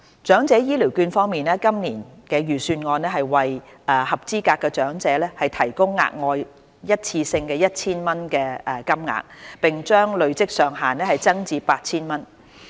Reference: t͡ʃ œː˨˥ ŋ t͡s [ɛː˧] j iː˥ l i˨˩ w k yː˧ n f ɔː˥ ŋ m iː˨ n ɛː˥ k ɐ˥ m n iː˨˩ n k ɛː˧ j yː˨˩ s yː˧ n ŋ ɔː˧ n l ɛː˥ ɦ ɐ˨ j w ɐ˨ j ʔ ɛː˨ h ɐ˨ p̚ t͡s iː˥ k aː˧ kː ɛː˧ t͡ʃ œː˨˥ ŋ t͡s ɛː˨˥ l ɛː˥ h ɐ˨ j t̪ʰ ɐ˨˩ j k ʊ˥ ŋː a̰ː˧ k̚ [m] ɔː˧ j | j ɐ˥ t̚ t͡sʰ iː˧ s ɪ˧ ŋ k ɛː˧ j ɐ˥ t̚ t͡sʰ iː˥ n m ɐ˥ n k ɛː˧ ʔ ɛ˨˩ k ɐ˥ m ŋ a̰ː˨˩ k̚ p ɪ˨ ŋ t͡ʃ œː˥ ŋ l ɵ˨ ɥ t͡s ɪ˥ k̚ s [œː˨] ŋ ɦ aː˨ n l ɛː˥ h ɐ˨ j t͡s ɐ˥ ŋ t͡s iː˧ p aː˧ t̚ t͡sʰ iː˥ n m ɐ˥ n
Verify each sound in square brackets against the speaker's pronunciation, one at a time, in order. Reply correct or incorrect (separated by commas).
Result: incorrect, incorrect, correct